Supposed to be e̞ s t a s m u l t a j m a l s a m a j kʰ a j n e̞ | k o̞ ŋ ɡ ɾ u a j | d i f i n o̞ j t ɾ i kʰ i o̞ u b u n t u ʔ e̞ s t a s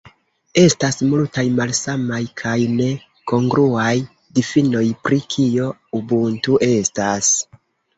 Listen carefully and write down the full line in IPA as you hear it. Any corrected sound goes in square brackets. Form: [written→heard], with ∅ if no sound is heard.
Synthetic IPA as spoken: e̞ s t a s m u l t a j m a l s a m a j kʰ a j n e̞ | k o̞ ŋ ɡ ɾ u a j | d i f i n o̞ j [t→p] ɾ i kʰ i o̞ u b u n t u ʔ e̞ s t a s